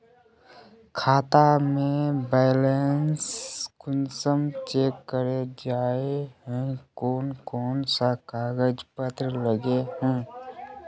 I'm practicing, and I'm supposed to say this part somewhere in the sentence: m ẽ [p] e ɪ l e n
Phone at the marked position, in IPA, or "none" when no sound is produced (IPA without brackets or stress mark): b